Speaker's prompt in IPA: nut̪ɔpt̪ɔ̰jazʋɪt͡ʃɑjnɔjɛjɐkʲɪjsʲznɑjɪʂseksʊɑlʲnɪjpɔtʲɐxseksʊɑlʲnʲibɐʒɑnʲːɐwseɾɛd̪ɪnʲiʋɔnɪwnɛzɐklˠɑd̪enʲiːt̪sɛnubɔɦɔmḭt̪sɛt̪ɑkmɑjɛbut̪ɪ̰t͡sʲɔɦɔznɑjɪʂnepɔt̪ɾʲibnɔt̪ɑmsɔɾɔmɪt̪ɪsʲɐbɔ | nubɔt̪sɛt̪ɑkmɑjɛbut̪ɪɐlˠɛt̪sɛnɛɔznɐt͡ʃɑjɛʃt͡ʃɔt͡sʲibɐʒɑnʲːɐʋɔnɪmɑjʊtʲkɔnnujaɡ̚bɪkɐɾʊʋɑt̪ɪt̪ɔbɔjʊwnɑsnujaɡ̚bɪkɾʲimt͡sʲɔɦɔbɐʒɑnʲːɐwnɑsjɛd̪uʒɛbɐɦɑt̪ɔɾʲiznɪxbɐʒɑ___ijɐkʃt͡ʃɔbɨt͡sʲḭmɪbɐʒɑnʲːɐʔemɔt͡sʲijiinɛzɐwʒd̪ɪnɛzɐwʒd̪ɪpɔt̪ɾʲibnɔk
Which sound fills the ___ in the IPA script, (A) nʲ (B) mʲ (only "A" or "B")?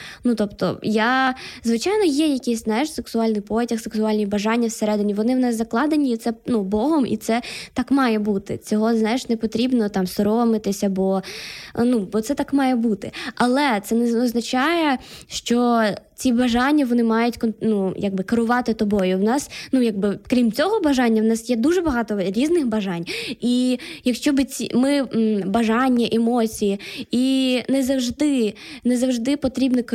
A